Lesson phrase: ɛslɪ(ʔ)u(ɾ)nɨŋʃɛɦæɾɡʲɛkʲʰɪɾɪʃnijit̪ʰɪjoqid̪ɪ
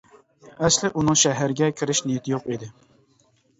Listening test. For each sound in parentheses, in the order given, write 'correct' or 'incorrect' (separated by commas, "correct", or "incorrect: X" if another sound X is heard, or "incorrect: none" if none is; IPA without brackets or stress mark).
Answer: correct, incorrect: none